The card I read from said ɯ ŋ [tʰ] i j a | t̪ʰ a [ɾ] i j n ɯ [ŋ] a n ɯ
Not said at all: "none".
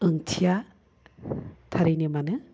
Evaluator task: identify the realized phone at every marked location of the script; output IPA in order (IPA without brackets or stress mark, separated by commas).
tʰ, ɾ, m